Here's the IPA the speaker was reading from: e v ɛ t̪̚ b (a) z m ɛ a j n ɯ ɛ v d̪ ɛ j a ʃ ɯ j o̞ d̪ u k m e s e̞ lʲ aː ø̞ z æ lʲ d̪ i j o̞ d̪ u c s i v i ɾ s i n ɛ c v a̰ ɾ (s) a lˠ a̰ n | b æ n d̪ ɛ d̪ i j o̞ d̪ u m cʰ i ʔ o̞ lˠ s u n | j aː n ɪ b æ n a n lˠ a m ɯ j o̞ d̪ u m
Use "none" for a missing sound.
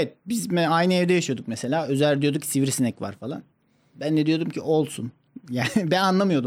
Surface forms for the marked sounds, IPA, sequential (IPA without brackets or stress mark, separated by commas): i, f